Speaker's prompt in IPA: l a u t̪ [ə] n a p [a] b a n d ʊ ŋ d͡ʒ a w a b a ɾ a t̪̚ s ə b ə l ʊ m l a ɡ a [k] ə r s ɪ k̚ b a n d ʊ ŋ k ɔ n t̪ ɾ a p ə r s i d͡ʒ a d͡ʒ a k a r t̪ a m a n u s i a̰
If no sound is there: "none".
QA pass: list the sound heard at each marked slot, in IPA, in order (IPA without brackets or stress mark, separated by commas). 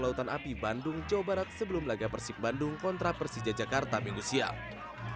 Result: a, i, p